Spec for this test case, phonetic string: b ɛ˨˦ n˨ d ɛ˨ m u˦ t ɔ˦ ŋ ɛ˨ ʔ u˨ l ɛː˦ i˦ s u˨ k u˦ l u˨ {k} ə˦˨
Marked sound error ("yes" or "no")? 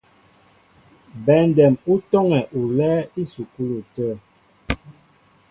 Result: yes